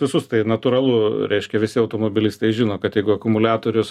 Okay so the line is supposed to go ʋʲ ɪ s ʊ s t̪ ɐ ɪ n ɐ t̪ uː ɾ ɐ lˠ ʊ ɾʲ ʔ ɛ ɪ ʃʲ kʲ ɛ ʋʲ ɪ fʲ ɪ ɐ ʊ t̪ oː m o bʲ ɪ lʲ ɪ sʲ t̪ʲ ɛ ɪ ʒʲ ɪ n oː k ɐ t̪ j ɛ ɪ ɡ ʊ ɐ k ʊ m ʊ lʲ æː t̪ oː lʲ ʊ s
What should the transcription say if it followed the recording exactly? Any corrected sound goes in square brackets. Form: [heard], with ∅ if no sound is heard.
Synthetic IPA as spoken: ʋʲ ɪ s ʊ s t̪ ɐ ɪ n ɐ t̪ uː ɾ ɐ lˠ ʊ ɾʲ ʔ ɛ ɪ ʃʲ kʲ ɛ ʋʲ ɪ [sʲ] ɪ ɐ ʊ t̪ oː m o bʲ ɪ lʲ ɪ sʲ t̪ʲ ɛ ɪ ʒʲ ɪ n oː k ɐ t̪ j ɛ ɪ ɡ ʊ ɐ k ʊ m ʊ lʲ æː t̪ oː [ɾʲ] ʊ s